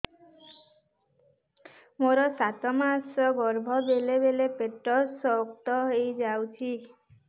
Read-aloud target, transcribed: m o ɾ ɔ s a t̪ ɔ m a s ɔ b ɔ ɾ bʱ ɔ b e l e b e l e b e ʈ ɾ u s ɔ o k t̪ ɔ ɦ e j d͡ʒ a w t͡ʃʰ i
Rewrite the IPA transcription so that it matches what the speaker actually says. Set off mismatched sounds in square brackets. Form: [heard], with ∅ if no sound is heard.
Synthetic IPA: m o ɾ ɔ s a t̪ ɔ m a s ɔ [ɡ] ɔ ɾ bʱ ɔ b e l e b e l e [p] e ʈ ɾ [ɔ] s ɔ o k t̪ ɔ ɦ e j d͡ʒ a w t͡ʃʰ i